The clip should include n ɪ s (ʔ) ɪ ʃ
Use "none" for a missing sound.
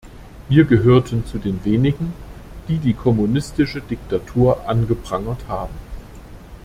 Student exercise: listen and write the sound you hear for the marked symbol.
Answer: t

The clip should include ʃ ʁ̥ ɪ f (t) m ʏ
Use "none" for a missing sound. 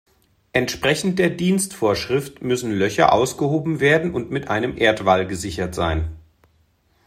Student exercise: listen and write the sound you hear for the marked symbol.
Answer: t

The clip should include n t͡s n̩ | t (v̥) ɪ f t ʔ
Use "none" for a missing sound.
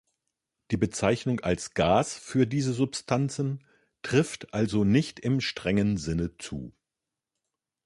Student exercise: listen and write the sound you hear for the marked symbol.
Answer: ʁ̥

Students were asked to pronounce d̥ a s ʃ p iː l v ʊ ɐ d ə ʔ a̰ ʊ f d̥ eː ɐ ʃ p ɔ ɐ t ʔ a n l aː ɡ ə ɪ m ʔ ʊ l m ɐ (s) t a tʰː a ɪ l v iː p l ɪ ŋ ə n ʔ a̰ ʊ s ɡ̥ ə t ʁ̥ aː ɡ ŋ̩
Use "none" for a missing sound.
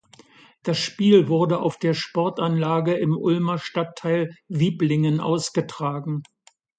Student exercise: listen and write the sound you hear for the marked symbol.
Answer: ʃ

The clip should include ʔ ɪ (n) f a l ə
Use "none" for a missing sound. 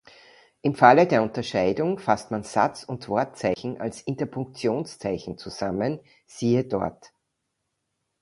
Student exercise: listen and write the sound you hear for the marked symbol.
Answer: m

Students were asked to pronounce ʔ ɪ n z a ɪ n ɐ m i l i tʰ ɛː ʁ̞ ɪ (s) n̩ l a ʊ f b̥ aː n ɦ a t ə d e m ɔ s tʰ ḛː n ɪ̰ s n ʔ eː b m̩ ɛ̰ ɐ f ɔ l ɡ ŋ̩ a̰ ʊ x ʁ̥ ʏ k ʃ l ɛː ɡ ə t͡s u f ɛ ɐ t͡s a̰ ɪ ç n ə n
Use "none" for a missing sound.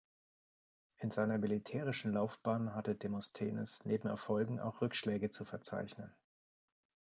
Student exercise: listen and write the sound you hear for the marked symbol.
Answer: ʃ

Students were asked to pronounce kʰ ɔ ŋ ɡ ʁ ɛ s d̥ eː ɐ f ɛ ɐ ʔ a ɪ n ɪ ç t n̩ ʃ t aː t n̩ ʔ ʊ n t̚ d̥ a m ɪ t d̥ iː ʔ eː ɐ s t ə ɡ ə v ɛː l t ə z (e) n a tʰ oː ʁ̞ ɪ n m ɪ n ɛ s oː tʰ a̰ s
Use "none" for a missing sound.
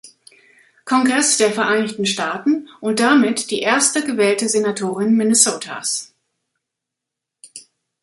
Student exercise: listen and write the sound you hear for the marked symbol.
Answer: e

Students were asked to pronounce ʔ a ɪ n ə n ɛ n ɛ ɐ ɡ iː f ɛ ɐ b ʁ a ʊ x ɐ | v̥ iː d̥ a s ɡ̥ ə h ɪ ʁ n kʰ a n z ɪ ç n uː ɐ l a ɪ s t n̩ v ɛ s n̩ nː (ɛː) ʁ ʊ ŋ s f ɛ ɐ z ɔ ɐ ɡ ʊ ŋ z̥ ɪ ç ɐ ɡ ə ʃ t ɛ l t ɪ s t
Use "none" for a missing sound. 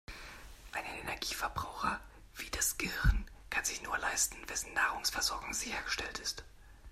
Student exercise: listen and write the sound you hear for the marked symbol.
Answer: aː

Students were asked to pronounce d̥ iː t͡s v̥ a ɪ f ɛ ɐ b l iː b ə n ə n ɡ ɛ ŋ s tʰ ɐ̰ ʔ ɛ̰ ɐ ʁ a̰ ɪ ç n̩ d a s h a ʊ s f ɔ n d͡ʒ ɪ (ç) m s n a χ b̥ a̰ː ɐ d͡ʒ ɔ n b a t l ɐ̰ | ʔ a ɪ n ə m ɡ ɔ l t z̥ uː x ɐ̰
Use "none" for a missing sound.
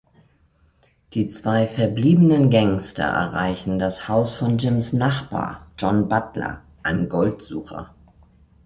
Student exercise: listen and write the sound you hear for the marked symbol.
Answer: none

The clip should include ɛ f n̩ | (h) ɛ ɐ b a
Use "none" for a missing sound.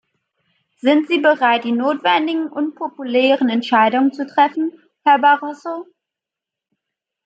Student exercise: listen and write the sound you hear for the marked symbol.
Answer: h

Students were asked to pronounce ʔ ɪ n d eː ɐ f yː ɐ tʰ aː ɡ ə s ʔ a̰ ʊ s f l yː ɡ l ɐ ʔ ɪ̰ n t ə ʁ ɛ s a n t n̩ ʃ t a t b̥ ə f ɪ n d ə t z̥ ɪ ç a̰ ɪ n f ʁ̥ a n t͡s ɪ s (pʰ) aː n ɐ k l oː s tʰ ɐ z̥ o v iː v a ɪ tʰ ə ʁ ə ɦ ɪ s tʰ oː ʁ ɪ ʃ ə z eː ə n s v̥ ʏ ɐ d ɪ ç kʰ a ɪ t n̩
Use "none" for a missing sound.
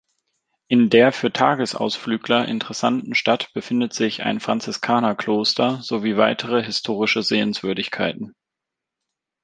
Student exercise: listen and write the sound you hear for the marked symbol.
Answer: kʰ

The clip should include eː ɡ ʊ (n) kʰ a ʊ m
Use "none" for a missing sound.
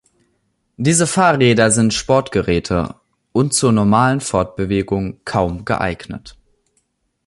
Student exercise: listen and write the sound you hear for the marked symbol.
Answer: ŋ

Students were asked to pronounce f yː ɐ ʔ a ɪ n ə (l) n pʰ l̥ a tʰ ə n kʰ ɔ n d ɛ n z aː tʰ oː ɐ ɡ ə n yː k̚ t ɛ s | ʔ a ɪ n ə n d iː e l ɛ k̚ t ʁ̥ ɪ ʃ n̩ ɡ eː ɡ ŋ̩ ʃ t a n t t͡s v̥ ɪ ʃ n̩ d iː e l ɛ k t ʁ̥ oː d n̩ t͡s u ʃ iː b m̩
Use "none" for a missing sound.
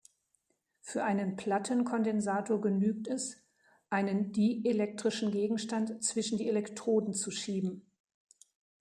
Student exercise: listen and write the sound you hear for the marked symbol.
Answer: none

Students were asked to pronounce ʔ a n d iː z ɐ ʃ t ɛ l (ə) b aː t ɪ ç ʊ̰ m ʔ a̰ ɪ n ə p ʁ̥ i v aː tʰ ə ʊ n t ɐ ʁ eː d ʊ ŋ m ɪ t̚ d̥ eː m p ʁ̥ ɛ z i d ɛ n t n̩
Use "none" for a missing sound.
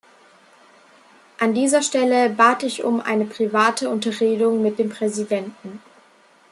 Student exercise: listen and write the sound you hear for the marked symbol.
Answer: ə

